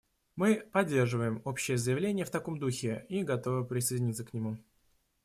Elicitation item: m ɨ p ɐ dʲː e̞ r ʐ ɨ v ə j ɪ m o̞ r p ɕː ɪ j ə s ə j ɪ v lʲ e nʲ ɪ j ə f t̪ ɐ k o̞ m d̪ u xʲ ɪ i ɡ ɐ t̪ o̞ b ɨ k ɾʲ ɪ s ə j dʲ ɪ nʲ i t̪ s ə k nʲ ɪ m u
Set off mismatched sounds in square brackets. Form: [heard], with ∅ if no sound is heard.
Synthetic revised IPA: m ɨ p ɐ dʲː e̞ r ʐ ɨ v ə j ɪ m o̞ [∅] p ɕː ɪ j ə [z] ə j ɪ v lʲ e nʲ ɪ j ə f t̪ ɐ k o̞ m d̪ u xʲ ɪ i ɡ ɐ t̪ o̞ [v] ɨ [p] ɾʲ ɪ s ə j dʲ ɪ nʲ i t̪ s ə k nʲ ɪ m u